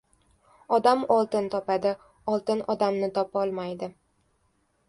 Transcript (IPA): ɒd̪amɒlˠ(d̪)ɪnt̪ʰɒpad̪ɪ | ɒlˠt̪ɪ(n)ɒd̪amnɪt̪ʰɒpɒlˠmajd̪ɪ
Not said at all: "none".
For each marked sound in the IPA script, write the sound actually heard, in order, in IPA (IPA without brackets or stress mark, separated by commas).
t̪, n